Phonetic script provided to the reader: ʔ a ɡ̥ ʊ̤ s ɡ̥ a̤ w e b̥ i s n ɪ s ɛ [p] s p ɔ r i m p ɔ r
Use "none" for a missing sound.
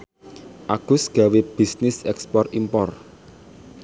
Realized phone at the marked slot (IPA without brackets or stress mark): k